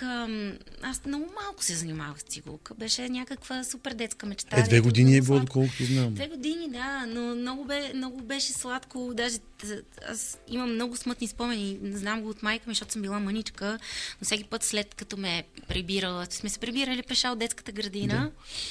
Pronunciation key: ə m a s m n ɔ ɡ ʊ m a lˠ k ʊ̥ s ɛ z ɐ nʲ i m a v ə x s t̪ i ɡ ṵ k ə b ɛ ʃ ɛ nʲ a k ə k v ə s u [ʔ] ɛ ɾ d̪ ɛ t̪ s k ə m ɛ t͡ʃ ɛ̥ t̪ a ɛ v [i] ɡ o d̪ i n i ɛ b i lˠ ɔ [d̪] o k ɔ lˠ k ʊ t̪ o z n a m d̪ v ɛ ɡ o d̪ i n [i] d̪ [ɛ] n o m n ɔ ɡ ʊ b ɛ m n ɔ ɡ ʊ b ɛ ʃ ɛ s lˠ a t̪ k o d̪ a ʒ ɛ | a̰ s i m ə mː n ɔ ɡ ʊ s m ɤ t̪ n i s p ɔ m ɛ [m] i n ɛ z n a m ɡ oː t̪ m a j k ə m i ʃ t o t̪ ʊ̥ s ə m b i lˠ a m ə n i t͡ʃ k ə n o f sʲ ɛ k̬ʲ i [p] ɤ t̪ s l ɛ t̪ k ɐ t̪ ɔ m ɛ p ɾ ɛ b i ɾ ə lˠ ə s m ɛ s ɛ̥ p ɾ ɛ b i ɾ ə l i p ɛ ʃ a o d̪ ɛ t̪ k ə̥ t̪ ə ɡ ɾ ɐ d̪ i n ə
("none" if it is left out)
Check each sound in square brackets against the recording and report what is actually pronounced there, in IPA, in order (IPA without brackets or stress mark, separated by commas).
p, ɛ, d̪, i, a, n, p